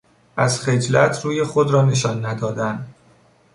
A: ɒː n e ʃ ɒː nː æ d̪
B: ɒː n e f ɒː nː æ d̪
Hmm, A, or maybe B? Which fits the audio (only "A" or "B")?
A